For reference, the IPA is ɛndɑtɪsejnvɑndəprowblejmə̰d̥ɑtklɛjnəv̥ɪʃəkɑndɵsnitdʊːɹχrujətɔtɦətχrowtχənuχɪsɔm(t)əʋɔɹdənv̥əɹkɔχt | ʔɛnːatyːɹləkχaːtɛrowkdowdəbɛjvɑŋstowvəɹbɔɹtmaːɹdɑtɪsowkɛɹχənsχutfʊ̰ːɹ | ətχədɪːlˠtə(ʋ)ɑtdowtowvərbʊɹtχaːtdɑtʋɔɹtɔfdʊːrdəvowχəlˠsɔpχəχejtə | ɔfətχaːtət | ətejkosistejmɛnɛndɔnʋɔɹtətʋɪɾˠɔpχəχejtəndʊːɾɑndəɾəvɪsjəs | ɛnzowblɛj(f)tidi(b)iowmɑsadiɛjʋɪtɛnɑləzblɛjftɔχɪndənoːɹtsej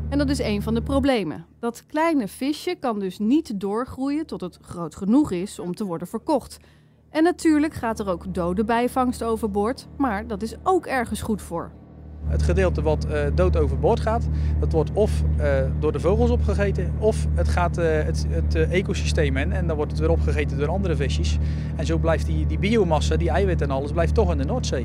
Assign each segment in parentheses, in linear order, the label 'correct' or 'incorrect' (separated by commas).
correct, correct, correct, correct